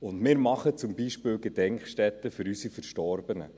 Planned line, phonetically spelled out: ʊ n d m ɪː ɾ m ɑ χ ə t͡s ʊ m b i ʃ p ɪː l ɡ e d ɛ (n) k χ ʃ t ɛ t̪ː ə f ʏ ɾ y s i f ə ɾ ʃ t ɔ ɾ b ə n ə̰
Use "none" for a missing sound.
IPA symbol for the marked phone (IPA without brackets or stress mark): ŋ